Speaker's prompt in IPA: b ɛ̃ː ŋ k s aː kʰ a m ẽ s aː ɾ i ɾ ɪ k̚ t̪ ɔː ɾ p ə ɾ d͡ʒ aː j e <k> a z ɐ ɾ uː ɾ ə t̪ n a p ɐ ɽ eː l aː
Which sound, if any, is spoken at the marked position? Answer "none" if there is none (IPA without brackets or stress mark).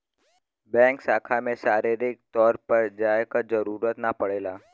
k